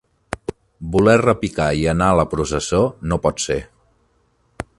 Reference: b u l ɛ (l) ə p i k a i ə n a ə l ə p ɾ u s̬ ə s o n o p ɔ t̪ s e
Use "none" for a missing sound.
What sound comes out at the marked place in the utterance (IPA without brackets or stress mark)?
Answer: r